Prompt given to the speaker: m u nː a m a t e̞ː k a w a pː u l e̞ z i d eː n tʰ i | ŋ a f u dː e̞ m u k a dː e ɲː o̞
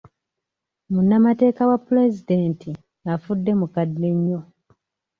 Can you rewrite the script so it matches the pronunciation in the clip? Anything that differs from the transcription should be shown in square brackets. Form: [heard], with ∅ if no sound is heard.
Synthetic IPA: m u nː a m a t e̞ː k a w a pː u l e̞ z i d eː n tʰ i | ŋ a f u dː e̞ m u k a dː e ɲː o̞